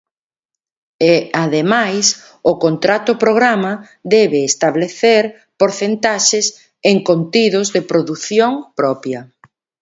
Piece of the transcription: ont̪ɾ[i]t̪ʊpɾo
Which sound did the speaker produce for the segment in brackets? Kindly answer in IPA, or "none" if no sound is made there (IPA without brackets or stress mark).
a